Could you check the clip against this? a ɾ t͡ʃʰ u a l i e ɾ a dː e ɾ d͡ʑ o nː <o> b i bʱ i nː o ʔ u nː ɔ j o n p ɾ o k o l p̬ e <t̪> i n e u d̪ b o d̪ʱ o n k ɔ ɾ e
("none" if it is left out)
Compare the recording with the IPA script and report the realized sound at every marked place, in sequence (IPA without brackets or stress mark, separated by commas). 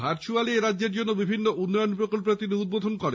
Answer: o, t̪